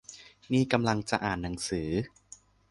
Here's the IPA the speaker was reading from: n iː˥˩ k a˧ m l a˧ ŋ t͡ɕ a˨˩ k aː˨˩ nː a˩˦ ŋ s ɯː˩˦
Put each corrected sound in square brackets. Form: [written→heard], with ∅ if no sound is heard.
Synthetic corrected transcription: n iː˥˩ k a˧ m l a˧ ŋ t͡ɕ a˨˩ [k→ʔ] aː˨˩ nː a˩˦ ŋ s ɯː˩˦